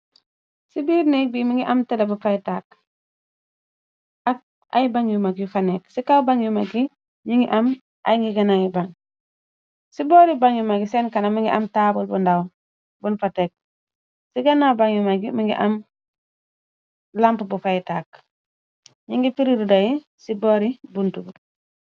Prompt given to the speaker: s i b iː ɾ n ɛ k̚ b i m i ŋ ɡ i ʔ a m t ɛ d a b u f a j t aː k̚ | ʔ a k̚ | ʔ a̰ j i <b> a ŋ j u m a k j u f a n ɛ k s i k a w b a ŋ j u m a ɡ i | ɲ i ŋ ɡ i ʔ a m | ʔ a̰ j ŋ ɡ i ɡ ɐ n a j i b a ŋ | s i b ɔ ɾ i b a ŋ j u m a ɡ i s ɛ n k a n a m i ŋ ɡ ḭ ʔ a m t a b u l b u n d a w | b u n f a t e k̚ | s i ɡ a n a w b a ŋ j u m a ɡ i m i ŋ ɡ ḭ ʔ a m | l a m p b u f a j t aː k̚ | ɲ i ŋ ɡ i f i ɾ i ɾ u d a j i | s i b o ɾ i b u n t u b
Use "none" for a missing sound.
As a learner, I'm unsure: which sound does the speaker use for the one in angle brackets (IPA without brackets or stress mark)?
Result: b